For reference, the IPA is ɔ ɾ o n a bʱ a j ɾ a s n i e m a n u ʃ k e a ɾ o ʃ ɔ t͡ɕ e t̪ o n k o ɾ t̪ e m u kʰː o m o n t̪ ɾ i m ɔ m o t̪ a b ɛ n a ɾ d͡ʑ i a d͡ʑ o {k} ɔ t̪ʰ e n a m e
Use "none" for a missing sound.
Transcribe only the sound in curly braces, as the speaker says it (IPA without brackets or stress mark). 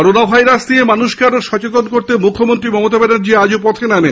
p